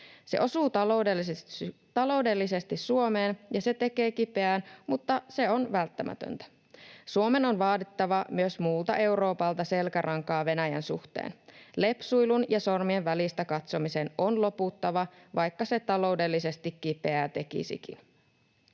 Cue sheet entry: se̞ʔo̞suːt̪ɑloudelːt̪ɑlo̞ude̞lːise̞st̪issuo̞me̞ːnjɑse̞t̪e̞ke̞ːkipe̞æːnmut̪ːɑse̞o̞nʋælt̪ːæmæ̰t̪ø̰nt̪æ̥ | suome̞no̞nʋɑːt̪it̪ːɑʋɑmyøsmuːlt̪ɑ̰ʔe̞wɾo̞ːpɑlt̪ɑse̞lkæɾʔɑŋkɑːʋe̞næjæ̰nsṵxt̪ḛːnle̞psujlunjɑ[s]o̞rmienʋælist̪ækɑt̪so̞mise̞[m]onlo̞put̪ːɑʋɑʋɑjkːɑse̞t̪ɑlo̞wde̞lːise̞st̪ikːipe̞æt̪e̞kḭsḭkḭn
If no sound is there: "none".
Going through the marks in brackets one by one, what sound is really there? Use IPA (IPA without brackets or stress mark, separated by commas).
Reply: s, n